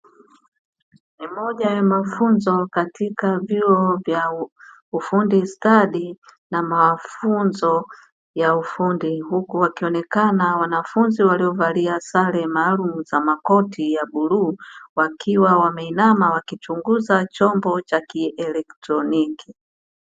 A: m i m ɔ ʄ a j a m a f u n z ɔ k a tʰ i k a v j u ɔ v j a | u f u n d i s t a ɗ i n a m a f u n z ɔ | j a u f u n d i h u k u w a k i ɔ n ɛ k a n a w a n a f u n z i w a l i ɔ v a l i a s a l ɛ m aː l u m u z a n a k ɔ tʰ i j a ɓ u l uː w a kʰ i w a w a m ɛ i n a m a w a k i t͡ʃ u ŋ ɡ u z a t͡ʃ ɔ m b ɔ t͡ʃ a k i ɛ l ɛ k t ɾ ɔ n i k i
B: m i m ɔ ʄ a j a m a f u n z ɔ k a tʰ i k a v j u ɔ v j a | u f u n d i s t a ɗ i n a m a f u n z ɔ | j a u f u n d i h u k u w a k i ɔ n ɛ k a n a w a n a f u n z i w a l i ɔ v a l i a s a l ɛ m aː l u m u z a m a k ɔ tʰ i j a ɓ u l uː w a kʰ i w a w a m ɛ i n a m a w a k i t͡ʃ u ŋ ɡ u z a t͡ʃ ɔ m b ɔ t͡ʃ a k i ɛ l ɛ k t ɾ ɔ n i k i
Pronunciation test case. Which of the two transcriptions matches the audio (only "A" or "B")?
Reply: B